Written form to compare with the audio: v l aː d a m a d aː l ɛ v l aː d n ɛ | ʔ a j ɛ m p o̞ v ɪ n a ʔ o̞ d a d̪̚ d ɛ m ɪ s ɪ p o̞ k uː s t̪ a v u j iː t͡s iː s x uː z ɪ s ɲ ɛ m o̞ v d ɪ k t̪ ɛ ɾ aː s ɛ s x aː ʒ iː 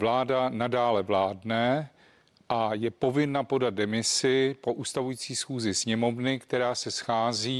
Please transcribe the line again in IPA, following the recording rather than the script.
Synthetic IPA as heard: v l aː d a n a d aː l ɛ v l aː d n ɛ | ʔ a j ɛ p o̞ v ɪ n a p o̞ d a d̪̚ d ɛ m ɪ s ɪ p o̞ ʔ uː s t̪ a v u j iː t͡s iː s x uː z ɪ s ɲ ɛ m o̞ v n ɪ k t̪ ɛ ɾ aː s ɛ s x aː z iː